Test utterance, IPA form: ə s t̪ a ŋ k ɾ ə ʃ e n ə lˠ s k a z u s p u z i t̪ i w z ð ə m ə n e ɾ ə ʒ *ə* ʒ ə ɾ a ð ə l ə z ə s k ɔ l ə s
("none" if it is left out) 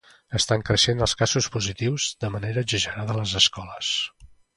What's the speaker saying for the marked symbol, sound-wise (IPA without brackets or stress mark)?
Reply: ə